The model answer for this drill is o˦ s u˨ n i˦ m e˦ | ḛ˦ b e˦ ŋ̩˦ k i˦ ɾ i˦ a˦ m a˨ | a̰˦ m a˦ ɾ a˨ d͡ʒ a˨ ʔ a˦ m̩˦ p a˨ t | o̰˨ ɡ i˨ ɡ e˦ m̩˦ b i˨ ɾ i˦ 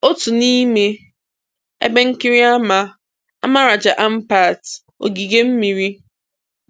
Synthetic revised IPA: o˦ t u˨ n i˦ m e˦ | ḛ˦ b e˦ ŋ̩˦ k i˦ ɾ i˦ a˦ m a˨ | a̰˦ m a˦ ɾ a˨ d͡ʒ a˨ ʔ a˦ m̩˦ p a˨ t | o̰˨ ɡ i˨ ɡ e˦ m̩˦ m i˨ ɾ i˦

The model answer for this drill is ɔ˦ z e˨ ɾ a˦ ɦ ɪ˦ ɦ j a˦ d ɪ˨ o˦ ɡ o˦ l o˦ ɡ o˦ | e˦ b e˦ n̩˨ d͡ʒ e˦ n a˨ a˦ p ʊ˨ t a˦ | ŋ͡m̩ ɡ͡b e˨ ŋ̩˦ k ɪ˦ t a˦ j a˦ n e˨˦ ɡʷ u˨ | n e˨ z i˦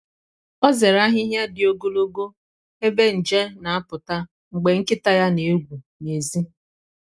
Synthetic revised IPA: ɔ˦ z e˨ ɾ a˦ ɦ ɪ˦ ɦ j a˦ d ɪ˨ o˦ ɡ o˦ l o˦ ɡ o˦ | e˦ b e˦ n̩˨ d͡ʒ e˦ n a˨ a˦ p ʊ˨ t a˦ | ŋ͡m̩ ɡ͡b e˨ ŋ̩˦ k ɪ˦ t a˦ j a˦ n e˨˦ ɡʷ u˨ | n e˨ z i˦

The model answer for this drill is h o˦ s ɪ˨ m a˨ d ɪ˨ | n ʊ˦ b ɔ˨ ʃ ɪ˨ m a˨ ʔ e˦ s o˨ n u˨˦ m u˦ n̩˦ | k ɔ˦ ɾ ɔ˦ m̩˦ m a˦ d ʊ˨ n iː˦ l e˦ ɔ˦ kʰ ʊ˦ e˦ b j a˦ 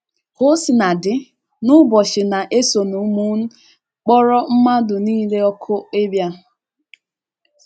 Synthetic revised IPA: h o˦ s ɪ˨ n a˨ d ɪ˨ | n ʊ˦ b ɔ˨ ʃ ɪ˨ n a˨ ʔ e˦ s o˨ n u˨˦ m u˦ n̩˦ | k͡p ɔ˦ ɾ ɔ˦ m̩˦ m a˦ d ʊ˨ n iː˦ l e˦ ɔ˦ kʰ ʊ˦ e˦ b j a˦

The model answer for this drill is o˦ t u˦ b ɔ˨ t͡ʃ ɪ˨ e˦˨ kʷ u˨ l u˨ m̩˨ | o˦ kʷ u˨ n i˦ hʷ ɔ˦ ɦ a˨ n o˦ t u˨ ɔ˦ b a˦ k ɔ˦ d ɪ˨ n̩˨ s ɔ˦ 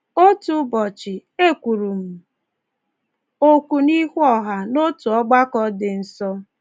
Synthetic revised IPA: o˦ t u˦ b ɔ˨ t͡ʃ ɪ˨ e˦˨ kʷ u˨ ɾ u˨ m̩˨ | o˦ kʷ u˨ n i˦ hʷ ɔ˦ ɦ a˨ n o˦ t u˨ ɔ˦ ɡ͡b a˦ k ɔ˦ d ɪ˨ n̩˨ s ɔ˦

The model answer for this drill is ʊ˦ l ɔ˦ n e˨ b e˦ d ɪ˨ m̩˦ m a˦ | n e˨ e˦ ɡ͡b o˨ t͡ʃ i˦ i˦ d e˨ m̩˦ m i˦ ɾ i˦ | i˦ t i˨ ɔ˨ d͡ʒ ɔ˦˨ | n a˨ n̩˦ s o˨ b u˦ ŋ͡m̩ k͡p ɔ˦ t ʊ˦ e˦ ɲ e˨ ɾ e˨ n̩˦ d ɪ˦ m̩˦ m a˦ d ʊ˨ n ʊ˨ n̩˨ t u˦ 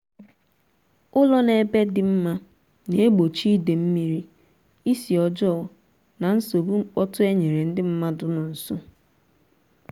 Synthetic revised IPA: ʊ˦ l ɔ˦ n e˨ b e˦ d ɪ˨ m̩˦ m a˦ | n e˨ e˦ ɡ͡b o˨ t͡ʃ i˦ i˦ d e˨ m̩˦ m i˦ ɾ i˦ | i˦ s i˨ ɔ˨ d͡ʒ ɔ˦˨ | n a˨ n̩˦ s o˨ b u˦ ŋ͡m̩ k͡p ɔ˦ t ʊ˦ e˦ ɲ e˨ ɾ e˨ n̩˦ d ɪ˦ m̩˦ m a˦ d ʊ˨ n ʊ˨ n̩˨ s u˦

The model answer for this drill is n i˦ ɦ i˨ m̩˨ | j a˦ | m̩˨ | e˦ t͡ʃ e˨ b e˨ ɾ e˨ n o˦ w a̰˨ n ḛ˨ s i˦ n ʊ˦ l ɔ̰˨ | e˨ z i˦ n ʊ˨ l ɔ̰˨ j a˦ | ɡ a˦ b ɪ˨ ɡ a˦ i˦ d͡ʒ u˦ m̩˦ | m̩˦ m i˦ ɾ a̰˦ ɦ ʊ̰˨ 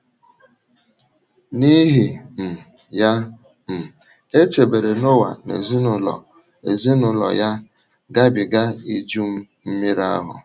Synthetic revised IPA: n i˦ ɦ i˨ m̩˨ | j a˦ | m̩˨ | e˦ t͡ʃ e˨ b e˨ ɾ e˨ n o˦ w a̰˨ n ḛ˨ z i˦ n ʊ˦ l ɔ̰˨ | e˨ z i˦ n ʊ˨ l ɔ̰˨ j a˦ | ɡ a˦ b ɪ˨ ɡ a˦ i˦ d͡ʒ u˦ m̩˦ | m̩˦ m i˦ ɾ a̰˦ ɦ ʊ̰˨

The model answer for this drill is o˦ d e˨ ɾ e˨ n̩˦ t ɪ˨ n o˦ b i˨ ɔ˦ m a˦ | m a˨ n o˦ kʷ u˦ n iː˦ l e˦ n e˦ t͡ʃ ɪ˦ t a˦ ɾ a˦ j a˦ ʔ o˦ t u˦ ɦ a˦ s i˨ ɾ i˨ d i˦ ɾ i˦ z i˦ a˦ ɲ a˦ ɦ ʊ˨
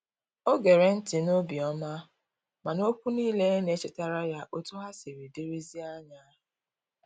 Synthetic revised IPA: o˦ ɡ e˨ ɾ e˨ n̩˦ t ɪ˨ n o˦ b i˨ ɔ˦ m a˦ | m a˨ n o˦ kʷ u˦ n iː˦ l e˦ n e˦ t͡ʃ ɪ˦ t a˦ ɾ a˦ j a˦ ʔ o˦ t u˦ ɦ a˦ s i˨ ɾ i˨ d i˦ ɾ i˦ z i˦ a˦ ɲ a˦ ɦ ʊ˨

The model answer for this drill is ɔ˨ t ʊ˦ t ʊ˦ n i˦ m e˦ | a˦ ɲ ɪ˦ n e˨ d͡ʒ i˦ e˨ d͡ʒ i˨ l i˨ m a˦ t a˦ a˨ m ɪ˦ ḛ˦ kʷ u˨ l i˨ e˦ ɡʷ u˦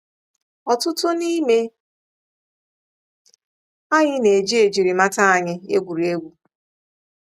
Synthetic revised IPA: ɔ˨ t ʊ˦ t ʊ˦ n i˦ m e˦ | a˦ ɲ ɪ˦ n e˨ d͡ʒ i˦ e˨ d͡ʒ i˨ ɾ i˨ m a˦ t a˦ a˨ ɲ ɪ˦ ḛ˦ ɡʷ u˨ ɾ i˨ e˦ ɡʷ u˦

